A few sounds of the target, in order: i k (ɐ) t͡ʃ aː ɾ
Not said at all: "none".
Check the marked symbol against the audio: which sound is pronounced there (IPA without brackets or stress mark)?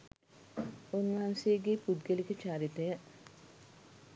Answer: ə